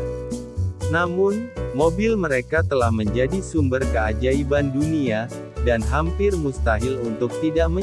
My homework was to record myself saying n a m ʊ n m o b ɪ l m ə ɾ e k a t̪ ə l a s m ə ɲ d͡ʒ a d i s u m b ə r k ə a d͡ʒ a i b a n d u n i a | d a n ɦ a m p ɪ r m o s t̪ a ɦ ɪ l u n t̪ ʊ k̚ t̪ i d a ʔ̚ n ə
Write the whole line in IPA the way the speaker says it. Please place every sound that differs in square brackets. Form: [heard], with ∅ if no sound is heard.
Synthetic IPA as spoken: n a m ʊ n m o b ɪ l m ə ɾ e k a t̪ ə l a [h] m ə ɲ d͡ʒ a d i s u m b ə r k ə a d͡ʒ a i b a n d u n i a | d a n ɦ a m p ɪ r m [u] s t̪ a ɦ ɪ l u n t̪ ʊ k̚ t̪ i d a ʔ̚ [m] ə